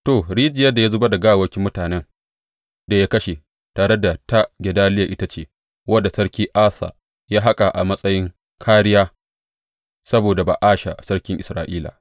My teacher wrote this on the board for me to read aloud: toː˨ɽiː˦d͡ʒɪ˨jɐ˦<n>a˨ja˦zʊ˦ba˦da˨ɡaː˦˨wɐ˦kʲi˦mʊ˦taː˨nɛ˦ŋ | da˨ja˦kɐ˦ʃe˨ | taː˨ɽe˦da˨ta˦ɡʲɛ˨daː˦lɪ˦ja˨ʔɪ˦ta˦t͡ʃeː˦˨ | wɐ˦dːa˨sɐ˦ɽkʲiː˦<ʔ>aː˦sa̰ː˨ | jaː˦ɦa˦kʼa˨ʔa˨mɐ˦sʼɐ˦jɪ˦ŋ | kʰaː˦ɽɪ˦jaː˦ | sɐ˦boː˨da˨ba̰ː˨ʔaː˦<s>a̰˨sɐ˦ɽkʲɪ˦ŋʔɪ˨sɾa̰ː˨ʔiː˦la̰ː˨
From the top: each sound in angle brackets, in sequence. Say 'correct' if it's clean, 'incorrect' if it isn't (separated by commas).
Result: incorrect, correct, incorrect